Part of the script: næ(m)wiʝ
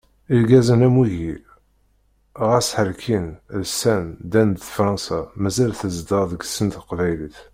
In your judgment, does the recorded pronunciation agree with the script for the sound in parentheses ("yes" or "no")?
yes